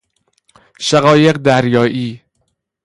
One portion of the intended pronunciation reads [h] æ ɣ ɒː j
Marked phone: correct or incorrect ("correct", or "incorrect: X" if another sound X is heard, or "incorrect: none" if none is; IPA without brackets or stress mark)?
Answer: incorrect: ʃ